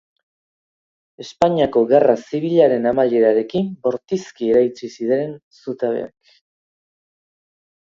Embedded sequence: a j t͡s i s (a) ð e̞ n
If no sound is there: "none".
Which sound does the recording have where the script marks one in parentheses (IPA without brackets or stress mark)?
i